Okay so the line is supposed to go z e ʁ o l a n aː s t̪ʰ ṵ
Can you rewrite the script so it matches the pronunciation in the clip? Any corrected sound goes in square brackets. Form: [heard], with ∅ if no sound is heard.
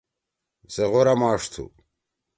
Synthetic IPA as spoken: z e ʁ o [ɾ] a [m] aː [ʂ] t̪ʰ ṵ